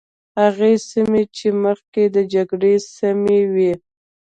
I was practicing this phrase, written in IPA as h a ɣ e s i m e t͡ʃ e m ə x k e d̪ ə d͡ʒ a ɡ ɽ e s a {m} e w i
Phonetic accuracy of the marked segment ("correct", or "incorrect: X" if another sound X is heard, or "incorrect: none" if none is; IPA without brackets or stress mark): correct